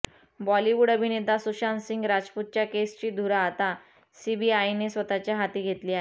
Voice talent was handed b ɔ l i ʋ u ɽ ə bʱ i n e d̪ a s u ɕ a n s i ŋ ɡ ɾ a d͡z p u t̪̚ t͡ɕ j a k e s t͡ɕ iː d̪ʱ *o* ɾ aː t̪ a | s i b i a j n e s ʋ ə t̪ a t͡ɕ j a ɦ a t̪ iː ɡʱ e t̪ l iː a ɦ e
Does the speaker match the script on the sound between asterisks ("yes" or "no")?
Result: no